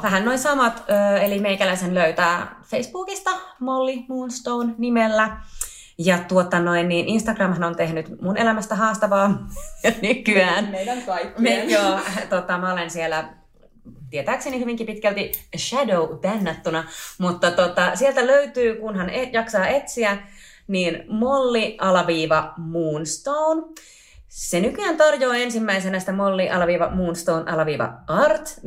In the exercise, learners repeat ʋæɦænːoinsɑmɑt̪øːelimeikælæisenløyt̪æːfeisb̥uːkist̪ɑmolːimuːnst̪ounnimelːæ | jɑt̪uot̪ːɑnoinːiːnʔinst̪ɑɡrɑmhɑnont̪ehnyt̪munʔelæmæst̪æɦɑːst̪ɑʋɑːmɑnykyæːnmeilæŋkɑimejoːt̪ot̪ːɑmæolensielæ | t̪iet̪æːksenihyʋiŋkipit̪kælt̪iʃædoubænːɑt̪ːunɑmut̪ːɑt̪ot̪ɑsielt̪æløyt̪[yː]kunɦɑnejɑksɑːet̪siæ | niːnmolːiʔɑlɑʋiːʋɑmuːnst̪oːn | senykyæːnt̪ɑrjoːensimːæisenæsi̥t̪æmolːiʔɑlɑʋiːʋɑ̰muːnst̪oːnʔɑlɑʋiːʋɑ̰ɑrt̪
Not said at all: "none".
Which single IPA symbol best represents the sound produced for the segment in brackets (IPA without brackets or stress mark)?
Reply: yː